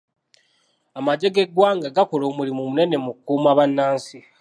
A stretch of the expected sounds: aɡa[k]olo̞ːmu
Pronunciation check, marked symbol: correct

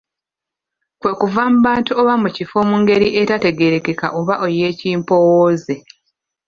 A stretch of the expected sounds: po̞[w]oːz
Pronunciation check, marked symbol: correct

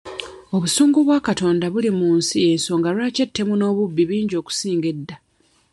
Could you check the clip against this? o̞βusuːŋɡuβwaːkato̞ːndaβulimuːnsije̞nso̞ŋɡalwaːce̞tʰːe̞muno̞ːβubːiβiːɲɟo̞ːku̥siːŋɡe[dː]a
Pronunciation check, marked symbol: correct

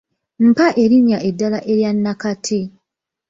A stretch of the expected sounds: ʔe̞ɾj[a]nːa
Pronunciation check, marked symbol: correct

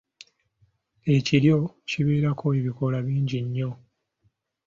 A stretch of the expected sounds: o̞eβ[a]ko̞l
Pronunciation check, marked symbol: incorrect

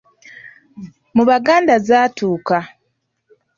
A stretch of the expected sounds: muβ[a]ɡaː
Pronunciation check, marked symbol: correct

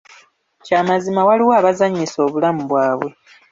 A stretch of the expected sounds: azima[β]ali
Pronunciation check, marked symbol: incorrect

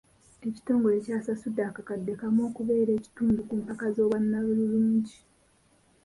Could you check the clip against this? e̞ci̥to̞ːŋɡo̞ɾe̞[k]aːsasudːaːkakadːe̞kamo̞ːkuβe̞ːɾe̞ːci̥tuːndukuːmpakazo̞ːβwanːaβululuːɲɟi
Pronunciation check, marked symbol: incorrect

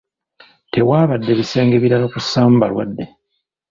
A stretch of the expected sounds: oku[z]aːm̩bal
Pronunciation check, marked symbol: incorrect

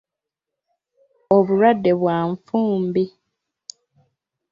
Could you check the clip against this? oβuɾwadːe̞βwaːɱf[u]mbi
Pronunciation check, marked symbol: incorrect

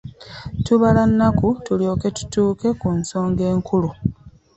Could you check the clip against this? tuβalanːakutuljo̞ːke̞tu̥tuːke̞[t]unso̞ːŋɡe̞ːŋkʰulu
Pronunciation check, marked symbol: incorrect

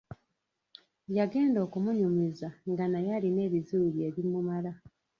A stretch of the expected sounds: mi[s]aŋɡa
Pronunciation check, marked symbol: incorrect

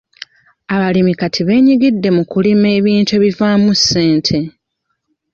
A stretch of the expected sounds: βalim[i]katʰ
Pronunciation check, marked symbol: correct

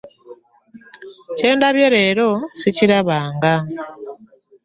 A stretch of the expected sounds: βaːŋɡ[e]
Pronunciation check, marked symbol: incorrect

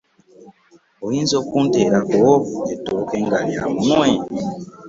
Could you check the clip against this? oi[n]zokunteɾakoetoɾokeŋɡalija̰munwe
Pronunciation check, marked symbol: correct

